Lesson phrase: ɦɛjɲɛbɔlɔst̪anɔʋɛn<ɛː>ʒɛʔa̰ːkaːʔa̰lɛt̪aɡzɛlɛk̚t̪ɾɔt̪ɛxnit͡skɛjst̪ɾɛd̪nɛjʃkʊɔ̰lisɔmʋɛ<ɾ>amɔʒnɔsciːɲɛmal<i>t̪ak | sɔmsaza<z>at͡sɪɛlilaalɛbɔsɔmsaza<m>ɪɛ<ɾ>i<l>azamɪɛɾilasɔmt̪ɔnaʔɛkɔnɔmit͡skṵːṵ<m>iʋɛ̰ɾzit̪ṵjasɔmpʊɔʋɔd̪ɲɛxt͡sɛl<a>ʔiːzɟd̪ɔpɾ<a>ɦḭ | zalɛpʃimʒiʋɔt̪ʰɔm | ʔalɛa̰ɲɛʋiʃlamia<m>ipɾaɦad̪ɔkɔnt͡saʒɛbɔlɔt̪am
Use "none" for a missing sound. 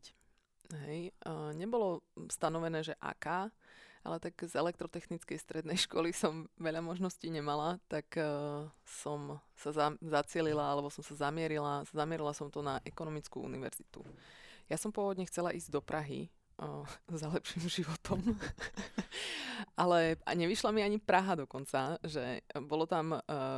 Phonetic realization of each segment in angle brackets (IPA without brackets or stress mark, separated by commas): ɛː, ʎ, a, z, m, ɾ, l, n, a, a, ɲ